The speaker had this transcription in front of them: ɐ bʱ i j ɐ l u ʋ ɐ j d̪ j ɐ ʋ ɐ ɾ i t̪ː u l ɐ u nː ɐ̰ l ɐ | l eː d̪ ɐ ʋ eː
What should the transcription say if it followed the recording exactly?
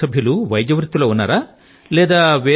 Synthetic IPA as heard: ɐ bʱ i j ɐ l u ʋ ɐ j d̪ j ɐ ʋ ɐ ɾ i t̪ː u l ɐ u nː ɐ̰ ɾ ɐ | l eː d̪ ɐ ʋ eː